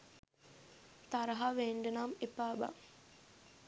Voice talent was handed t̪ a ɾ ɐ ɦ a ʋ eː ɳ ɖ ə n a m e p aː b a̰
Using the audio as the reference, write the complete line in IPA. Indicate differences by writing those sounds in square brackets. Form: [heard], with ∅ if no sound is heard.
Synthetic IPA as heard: t̪ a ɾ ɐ ɦ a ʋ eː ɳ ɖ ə n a m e p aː b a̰